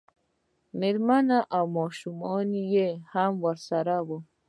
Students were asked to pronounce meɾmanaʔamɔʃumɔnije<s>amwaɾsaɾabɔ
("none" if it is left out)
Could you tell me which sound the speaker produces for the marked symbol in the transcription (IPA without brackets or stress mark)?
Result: h